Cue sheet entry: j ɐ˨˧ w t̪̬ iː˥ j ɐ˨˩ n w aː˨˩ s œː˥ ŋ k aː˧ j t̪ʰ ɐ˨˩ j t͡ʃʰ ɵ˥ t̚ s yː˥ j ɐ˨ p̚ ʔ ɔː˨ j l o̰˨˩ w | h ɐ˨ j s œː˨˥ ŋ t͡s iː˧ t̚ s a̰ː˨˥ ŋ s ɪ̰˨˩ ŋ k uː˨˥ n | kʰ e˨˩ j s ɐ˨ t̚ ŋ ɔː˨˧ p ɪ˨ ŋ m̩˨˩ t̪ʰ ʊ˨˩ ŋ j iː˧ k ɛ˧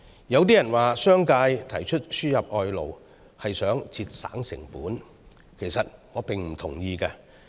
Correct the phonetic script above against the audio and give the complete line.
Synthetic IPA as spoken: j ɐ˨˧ w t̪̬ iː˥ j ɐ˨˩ n w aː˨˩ s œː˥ ŋ k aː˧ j t̪ʰ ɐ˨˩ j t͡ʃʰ ɵ˥ t̚ s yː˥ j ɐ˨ p̚ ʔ ɔː˨ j l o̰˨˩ w | h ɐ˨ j s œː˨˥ ŋ t͡s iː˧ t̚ s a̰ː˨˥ ŋ s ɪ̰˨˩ ŋ p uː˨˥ n | kʰ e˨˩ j s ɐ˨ t̚ ŋ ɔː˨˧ p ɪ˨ ŋ m̩˨˩ t̪ʰ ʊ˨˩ ŋ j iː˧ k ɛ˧